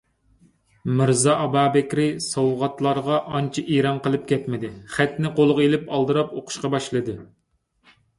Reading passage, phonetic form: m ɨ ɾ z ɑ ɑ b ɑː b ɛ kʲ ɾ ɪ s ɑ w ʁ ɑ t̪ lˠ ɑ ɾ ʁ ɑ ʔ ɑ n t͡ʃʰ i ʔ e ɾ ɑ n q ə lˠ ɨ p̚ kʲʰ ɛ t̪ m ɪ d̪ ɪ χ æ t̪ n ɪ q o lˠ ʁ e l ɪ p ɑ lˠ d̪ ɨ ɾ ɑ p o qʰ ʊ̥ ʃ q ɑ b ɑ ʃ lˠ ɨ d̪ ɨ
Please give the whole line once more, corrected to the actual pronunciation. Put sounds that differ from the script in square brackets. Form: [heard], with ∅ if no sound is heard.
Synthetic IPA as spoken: m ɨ ɾ z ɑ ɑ b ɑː b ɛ kʲ ɾ ɪ s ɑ w ʁ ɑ t̪ lˠ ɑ ɾ ʁ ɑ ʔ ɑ n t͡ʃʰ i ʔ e ɾ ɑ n q ə lˠ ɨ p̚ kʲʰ ɛ t̪ m ɪ d̪ ɪ χ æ t̪ n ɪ q o lˠ ʁ e l ɪ p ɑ lˠ d̪ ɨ ɾ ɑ p o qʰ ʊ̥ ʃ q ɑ b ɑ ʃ lˠ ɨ d̪ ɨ